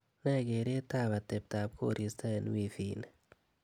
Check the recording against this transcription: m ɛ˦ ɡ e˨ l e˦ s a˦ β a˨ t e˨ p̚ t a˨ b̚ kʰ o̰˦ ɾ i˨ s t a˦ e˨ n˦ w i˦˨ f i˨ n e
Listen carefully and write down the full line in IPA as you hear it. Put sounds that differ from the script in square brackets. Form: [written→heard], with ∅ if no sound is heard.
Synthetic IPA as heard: [m→n] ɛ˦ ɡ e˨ [l→ɾ] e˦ [s→t] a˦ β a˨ t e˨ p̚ t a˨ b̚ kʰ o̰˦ ɾ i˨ s t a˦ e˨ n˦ w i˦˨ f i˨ n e